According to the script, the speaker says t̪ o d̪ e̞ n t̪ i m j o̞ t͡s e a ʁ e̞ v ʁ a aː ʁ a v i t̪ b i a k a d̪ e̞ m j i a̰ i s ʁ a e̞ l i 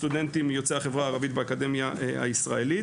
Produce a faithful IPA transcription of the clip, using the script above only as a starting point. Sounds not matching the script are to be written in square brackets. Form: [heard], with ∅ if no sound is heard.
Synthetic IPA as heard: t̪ [u] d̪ e̞ n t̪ i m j o̞ t͡s e a [χ] e̞ v ʁ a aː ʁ a v i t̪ b [e] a k a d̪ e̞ m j [a] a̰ i s ʁ a e̞ l i

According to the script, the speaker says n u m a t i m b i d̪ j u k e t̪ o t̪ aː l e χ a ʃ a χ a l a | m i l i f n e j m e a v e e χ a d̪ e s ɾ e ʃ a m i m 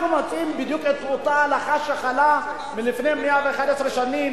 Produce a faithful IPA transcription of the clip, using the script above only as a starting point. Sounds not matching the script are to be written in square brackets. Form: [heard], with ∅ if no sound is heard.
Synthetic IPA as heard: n u m a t i m b i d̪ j u k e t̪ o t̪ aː l [a] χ a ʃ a χ a l a | m i l i f n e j m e a v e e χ a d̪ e s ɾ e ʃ a [n] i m

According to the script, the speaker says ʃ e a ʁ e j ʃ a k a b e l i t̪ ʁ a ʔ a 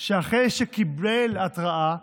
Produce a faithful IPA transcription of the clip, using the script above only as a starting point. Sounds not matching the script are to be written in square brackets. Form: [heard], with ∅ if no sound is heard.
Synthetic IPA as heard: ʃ e a [χ] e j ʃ [e] k [i] b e l [a] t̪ ʁ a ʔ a

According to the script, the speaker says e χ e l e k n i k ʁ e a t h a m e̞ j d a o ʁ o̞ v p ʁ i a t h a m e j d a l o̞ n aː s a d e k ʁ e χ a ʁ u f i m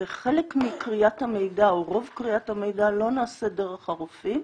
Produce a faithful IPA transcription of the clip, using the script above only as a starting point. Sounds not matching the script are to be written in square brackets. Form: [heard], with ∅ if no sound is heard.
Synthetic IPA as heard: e χ e l e k [m] i k ʁ [i] a t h a m e̞ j d a o ʁ o̞ v [k] ʁ i a t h a m e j d a l o̞ n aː s [e] d e [∅] ʁ e χ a ʁ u f i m

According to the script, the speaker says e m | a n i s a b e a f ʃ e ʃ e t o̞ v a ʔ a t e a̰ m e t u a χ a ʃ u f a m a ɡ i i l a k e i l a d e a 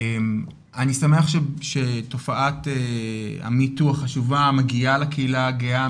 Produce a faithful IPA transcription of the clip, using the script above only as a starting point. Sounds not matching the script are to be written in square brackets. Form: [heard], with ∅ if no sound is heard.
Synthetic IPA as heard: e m | a n i s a [m] e a [χ] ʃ e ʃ e t o̞ [f] a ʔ a t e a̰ m [i] t u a χ a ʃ u [v] a m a ɡ i [a] l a k e i l a [ɡ] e a

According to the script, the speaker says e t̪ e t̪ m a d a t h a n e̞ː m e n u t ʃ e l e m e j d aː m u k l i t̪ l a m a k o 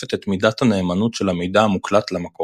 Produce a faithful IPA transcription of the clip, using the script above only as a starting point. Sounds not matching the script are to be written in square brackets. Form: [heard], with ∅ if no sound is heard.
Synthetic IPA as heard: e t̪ e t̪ m [i] d a t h a n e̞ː m [a] n u t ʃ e l [a] m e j d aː m u k l [a] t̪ l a m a k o

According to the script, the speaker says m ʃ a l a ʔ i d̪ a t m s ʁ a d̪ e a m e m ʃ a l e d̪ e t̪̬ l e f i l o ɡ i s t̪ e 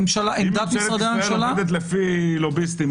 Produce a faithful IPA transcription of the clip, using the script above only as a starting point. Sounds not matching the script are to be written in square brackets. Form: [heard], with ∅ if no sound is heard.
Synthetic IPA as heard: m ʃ a l a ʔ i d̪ a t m s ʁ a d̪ e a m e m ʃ a l [a] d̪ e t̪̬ l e f i l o [b] i s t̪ [i]

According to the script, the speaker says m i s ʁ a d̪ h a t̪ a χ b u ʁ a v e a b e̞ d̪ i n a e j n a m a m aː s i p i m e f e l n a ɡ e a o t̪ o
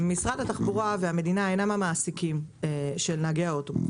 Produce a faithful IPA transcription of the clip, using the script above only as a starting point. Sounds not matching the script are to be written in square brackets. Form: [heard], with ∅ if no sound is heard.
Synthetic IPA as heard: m i s ʁ a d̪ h a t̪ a χ b u ʁ a v e a [m] e̞ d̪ i n a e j n a m a m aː s i [k] i m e [ʃ] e l n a ɡ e a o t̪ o

